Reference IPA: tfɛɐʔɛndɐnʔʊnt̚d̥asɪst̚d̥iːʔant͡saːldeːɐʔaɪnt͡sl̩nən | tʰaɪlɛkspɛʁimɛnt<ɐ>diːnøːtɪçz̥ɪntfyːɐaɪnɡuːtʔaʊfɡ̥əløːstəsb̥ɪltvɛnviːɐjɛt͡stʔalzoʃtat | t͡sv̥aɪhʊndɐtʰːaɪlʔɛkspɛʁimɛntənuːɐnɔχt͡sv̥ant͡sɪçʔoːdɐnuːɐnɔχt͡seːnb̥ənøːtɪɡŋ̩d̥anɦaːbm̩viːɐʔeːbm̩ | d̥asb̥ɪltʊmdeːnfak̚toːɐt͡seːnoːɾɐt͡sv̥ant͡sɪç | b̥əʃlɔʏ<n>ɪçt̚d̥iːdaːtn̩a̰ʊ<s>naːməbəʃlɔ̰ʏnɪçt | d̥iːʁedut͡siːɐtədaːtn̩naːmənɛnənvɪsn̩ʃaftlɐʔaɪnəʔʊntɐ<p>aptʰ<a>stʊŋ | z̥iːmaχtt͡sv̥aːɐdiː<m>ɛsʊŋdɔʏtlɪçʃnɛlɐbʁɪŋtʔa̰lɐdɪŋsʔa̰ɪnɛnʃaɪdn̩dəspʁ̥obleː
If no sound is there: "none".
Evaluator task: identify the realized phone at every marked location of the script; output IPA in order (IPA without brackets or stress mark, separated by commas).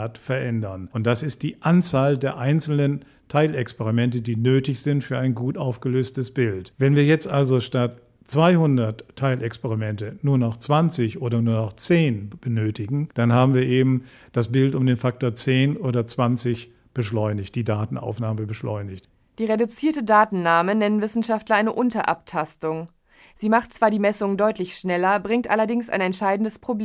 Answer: ə, n, f, ʔ, a, m